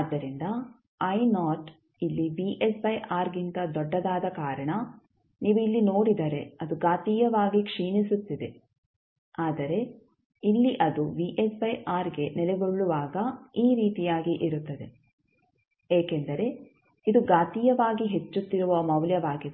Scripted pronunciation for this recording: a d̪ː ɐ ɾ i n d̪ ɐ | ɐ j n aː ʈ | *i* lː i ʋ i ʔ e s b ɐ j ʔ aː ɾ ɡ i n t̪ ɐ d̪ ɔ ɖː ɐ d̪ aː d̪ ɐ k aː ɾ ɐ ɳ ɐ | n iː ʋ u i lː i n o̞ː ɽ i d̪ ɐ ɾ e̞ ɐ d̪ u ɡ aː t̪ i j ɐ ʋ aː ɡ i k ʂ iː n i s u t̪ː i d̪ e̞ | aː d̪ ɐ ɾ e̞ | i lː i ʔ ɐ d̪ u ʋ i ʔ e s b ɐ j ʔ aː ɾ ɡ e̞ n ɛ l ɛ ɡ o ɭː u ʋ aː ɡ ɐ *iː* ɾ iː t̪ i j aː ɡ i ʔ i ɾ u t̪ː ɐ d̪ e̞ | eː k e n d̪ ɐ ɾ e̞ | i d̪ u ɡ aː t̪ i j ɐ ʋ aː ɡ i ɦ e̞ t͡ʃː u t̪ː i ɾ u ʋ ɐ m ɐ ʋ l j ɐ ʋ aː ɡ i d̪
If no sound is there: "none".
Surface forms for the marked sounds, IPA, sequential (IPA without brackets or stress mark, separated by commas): i, iː